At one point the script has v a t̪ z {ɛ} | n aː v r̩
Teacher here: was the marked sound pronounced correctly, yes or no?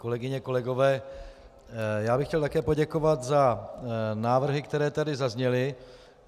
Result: no